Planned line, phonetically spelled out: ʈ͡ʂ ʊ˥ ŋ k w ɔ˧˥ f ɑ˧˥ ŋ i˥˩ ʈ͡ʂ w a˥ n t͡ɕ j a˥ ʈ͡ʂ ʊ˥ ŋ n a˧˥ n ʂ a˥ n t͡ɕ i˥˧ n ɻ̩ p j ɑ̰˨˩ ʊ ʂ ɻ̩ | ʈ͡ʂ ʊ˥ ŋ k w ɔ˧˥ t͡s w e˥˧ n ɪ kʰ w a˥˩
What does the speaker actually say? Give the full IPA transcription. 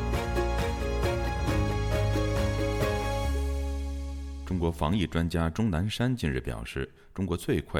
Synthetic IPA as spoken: ʈ͡ʂ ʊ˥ ŋ k w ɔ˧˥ f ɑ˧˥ ŋ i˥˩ ʈ͡ʂ w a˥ n t͡ɕ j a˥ ʈ͡ʂ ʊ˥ ŋ n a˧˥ n ʂ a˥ n t͡ɕ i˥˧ n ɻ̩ p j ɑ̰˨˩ ʊ ʂ ɻ̩ | ʈ͡ʂ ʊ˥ ŋ k w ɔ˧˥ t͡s w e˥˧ ɪ kʰ w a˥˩